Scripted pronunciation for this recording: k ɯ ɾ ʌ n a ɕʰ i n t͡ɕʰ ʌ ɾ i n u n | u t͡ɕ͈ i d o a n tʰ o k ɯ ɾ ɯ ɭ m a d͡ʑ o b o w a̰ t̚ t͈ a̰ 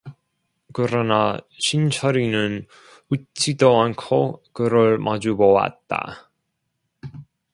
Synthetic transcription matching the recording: k ɯ ɾ ʌ n a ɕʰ i n t͡ɕʰ ʌ ɾ i n ɯ n | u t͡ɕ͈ i d o a n kʰ o k ɯ ɾ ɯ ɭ m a d͡ʑ u b o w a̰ t̚ t͈ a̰